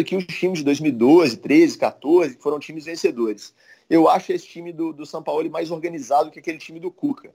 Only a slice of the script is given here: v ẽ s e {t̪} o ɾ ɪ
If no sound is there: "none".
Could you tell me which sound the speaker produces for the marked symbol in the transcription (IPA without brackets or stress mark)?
d̪